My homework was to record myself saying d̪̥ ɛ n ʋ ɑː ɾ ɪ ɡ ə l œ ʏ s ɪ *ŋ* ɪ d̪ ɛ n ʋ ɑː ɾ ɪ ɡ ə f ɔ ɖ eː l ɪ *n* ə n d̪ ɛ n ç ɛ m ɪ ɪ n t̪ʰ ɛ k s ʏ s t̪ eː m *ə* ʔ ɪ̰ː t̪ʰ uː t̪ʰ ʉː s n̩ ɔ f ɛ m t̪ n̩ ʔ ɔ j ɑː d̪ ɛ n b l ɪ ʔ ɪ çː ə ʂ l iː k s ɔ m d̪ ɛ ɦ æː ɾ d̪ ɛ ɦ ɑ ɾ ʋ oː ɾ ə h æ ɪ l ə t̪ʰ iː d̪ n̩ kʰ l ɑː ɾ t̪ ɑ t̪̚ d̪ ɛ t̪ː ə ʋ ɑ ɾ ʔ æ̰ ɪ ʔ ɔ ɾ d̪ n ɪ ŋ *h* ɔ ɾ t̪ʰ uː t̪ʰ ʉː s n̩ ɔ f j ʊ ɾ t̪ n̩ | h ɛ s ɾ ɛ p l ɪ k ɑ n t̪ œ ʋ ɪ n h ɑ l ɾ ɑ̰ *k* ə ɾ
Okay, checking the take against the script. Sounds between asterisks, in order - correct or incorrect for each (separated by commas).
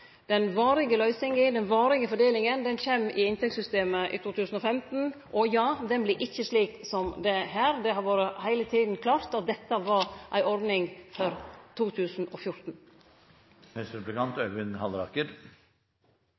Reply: correct, incorrect, correct, incorrect, correct